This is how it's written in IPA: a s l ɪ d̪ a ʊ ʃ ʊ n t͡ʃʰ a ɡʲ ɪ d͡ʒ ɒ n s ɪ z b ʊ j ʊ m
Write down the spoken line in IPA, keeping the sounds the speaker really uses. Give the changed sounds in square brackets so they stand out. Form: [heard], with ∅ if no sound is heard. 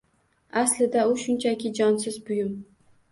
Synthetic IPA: a s l ɪ d̪ a ʊ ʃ ʊ n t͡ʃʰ a [kʲ] ɪ d͡ʒ ɒ n s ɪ z b ʊ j ʊ m